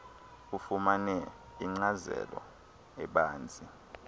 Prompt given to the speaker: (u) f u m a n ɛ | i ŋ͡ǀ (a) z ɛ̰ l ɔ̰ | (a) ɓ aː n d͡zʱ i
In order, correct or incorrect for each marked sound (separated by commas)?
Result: correct, correct, incorrect